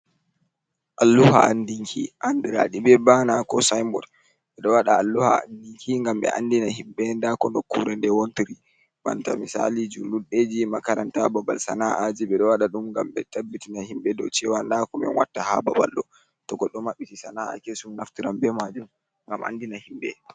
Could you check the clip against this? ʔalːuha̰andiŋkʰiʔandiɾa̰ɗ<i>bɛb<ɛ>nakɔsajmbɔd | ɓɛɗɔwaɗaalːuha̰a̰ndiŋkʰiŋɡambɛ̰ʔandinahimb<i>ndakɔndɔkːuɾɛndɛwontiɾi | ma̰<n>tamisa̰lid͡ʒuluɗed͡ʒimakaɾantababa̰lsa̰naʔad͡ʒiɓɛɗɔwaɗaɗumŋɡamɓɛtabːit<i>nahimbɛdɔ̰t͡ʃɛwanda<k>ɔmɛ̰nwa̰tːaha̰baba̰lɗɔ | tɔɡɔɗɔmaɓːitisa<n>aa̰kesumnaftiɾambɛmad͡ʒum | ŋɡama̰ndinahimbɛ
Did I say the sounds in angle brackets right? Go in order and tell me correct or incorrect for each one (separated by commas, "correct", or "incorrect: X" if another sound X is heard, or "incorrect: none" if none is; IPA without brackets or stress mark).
correct, incorrect: a, incorrect: ɛ, correct, correct, correct, correct